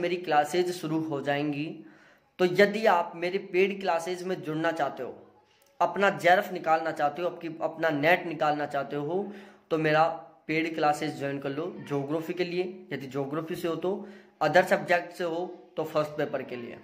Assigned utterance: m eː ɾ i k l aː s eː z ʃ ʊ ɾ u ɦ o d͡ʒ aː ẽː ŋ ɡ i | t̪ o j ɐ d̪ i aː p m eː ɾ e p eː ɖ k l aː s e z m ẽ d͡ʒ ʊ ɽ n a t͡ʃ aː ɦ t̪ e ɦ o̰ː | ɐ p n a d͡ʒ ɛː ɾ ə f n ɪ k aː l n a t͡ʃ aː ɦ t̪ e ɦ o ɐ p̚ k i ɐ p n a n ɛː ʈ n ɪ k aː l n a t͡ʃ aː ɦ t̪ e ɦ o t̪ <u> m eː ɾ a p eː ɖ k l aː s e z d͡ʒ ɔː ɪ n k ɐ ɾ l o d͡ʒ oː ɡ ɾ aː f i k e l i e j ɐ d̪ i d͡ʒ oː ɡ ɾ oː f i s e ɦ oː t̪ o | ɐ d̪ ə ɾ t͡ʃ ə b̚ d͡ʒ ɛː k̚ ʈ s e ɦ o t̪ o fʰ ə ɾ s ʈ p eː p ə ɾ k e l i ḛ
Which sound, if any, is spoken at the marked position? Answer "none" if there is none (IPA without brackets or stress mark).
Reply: o